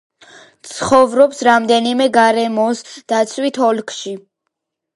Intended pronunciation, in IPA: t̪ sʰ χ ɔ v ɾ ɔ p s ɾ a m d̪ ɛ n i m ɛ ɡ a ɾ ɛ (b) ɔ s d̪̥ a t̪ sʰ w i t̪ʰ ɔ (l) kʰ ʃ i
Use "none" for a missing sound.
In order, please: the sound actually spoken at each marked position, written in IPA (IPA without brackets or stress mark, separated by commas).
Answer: m, l